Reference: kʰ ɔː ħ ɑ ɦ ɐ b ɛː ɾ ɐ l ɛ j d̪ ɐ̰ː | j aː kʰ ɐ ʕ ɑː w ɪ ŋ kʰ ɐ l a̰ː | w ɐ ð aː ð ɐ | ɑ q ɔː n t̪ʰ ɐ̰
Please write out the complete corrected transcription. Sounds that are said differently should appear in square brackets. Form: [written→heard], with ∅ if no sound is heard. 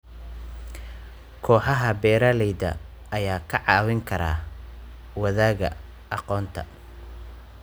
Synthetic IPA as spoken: kʰ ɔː ħ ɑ ɦ ɐ b ɛː ɾ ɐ l ɛ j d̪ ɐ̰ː | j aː kʰ ɐ ʕ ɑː w ɪ ŋ kʰ ɐ [l→ɾ] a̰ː | w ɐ ð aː [ð→ɣ] ɐ | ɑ q ɔː n t̪ʰ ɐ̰